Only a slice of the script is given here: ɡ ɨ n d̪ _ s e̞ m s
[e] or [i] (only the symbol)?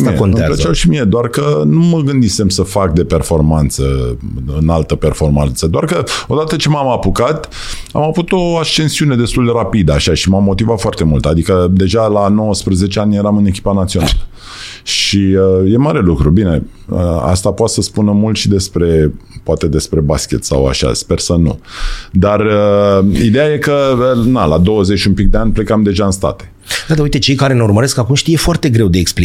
i